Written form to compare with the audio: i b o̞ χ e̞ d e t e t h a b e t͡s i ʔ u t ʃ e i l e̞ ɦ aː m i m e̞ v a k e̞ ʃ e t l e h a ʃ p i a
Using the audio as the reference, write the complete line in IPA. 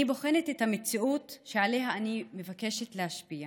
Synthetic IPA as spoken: i b o̞ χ e̞ n e t e t h a m e t͡s i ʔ u t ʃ e a l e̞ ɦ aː n i m e̞ v a k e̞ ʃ e t l e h a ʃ p i a